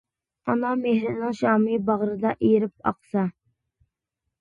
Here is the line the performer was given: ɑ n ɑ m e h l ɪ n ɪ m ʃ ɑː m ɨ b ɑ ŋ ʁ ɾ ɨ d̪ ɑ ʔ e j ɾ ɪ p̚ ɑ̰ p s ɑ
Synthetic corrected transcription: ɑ n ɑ m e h ɾ ɪ n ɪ ŋ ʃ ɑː m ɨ b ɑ ʁ ɾ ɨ d̪ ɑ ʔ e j ɾ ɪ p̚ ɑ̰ q s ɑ